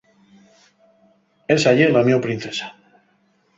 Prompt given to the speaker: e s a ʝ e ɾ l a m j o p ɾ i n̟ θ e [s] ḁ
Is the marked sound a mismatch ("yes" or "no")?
no